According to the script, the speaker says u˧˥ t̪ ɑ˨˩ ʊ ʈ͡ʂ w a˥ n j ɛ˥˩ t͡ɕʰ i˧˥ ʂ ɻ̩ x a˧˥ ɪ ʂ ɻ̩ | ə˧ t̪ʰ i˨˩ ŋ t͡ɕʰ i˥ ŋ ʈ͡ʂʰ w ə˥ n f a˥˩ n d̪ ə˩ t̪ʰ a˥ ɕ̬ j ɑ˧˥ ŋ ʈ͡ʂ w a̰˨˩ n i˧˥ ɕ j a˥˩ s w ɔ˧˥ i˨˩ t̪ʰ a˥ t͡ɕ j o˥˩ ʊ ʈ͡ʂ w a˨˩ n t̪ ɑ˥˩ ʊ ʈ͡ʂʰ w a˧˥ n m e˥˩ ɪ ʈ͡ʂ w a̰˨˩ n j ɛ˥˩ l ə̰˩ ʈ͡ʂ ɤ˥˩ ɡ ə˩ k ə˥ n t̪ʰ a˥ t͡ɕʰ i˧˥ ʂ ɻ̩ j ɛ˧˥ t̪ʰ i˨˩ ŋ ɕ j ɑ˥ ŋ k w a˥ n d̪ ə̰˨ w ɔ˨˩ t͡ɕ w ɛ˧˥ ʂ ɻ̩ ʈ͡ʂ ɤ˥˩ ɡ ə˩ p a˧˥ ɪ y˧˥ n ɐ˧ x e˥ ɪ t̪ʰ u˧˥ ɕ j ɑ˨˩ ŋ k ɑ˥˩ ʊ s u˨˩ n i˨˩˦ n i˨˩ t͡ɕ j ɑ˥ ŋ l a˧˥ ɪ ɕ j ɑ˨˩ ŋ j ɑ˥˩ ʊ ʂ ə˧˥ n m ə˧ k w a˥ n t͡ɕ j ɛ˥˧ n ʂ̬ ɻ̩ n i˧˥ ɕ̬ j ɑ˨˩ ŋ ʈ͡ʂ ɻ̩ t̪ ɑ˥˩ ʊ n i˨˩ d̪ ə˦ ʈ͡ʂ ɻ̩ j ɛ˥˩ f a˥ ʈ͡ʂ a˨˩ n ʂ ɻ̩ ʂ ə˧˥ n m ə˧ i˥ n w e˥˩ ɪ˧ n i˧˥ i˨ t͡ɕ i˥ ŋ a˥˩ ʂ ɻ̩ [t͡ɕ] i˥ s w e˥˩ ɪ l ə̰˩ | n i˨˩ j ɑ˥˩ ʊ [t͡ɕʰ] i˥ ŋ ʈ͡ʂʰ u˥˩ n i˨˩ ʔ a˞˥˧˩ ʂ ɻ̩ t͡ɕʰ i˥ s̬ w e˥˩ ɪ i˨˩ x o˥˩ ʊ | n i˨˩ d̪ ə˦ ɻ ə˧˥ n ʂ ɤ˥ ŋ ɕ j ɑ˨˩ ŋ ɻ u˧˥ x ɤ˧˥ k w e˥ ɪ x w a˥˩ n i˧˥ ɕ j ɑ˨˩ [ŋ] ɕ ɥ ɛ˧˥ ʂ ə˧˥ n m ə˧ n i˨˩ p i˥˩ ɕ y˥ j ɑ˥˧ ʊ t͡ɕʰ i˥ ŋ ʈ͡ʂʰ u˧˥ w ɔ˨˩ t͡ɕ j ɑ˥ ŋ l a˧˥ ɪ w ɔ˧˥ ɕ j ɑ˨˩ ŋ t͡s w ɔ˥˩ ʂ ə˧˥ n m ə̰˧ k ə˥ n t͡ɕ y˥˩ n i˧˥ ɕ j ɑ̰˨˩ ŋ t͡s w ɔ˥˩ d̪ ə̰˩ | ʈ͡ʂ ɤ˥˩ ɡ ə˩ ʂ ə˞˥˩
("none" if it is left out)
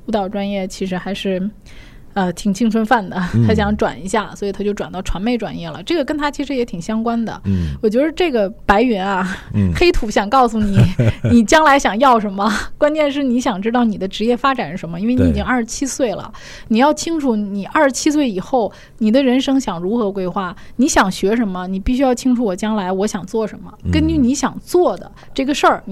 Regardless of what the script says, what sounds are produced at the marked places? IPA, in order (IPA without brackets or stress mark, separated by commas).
t͡ɕʰ, t͡ɕʰ, ŋ